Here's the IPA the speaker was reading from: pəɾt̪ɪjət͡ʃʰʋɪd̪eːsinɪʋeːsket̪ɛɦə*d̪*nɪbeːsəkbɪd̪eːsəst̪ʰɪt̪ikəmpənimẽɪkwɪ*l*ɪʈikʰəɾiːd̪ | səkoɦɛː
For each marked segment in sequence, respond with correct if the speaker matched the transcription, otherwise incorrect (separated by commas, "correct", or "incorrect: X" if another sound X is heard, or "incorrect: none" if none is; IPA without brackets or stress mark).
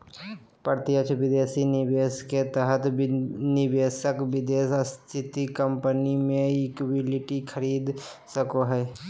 incorrect: t̪, correct